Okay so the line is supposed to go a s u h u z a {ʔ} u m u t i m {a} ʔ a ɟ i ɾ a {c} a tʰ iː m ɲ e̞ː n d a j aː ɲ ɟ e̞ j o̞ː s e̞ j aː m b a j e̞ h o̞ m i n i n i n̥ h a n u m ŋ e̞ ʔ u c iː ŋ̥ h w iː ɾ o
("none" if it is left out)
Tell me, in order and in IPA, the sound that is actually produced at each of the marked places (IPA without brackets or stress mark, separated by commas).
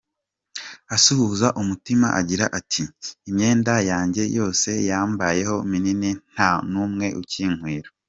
ʔ, a, ʔ